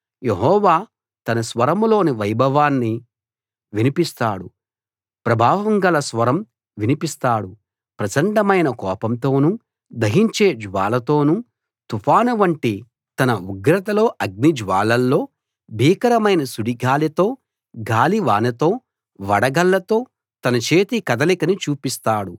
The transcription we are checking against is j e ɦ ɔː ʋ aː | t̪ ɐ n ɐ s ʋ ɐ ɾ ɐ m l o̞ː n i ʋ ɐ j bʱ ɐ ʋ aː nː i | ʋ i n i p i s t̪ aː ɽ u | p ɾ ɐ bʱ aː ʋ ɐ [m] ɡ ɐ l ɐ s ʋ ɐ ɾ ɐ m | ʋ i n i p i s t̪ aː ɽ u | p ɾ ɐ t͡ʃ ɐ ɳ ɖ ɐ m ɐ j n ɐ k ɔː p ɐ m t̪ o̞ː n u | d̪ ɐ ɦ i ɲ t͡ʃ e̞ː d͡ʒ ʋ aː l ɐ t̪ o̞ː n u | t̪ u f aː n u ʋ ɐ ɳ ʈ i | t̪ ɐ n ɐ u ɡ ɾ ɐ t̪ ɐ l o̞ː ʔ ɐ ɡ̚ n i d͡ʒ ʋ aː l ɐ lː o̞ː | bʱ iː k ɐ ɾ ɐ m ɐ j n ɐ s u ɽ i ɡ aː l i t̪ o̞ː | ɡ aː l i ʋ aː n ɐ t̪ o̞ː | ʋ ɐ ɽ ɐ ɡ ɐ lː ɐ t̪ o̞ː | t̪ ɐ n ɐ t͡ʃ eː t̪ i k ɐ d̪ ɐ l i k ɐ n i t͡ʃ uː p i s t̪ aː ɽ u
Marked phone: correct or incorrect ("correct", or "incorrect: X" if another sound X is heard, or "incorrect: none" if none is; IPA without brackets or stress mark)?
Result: incorrect: ŋ